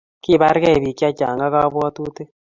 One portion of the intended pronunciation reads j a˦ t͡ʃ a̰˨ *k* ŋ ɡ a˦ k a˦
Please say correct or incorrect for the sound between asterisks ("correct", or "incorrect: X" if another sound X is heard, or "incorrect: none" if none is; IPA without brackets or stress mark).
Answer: incorrect: none